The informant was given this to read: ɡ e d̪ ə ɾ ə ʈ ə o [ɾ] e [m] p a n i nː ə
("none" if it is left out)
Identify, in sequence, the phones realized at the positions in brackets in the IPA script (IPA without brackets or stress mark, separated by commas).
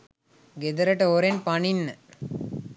ɾ, n